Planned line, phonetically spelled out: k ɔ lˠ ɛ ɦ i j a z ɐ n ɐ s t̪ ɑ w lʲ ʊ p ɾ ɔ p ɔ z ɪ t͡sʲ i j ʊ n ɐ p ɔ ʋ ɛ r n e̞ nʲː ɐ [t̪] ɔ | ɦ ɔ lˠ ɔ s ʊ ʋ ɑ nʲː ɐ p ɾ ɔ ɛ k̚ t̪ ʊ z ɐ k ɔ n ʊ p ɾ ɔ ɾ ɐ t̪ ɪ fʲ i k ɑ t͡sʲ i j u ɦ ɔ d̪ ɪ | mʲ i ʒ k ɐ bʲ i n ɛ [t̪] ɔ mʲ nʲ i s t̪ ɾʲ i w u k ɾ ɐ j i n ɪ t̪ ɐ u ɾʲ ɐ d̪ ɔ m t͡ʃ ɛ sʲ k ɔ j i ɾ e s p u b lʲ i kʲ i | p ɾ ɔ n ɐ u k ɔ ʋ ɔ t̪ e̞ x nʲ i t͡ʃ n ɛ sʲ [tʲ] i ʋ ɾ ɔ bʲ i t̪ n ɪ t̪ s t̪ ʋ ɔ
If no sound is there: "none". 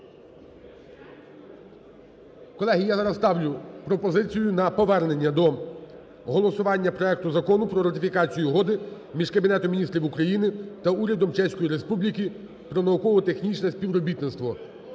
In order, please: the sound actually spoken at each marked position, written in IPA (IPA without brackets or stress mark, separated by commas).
d̪, t̪, pʲ